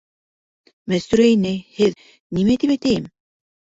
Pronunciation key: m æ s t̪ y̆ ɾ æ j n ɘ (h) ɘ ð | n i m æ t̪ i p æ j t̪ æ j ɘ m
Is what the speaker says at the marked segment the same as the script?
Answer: yes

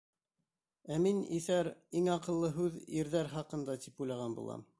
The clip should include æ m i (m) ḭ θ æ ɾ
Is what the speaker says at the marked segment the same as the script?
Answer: no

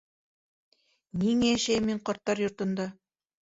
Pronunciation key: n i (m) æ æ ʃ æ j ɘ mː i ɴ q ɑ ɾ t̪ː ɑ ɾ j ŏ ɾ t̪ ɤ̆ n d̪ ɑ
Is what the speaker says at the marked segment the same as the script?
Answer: no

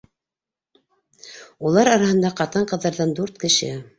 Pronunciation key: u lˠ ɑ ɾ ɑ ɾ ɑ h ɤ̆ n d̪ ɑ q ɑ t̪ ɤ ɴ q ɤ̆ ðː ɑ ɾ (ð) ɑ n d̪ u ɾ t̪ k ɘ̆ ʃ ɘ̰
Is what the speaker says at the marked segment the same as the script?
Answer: yes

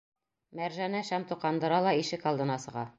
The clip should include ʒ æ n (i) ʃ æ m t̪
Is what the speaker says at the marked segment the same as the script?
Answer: no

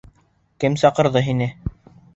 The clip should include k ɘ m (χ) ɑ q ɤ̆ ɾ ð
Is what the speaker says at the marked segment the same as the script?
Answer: no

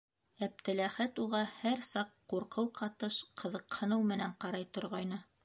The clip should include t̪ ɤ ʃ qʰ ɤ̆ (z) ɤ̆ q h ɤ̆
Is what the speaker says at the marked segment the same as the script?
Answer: no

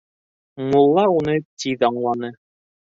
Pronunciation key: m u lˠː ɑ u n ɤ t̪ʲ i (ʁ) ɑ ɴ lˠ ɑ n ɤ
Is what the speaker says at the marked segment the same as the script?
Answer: no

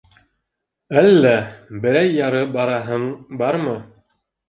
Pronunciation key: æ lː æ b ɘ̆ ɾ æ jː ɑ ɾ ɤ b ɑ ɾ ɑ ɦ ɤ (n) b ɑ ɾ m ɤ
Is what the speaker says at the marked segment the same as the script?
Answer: no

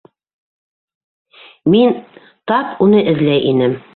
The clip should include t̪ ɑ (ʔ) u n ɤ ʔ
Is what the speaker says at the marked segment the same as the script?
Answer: no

